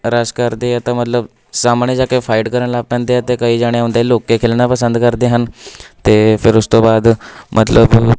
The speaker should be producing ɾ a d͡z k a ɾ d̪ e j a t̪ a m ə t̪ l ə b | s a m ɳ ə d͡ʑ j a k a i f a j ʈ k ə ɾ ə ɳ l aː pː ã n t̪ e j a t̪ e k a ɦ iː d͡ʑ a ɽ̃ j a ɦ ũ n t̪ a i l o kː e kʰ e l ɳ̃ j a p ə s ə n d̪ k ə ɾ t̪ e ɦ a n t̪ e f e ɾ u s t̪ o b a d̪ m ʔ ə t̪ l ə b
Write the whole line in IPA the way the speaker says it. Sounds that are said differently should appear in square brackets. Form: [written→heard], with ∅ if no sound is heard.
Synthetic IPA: ɾ a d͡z k a ɾ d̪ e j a t̪ a m ə t̪ l ə b | s a m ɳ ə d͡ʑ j a k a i f a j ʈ k ə ɾ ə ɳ l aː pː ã n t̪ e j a t̪ e k a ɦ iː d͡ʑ a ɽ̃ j a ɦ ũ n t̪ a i l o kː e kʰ e l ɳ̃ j a p ə s ə n d̪ k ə ɾ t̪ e ɦ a n t̪ e f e ɾ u s t̪ o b a d̪ m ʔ ə t̪ l ə b